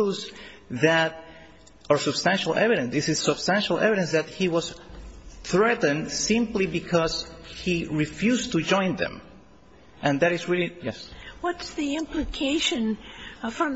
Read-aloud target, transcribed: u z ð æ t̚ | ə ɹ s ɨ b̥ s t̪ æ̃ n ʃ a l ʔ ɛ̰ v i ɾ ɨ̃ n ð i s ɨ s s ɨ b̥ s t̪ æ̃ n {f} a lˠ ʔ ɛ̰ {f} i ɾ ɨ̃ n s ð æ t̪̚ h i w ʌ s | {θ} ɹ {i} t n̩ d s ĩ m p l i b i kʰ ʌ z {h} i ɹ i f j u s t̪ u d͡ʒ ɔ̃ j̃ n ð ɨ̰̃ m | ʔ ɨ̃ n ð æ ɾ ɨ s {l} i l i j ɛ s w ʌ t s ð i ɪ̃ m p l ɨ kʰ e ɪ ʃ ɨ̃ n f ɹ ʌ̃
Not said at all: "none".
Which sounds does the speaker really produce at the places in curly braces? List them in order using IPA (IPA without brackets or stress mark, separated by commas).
ʃ, v, θ, ɛ, h, ɹ